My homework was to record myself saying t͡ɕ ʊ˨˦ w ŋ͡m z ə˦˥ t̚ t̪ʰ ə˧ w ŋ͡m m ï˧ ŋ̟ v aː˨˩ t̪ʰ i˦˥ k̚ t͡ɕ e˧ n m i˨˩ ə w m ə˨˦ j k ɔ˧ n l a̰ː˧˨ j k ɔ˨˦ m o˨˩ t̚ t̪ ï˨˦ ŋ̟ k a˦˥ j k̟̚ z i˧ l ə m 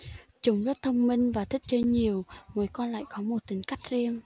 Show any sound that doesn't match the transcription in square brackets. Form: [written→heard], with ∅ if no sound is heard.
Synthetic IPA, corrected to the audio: t͡ɕ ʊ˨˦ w ŋ͡m z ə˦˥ t̚ t̪ʰ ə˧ w ŋ͡m m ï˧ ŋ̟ v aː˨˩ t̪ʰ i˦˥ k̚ t͡ɕ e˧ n [m→ɲ] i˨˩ ə w m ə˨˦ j k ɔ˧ n l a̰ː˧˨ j k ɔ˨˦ m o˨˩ t̚ t̪ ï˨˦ ŋ̟ k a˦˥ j k̟̚ z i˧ [l→∅] ə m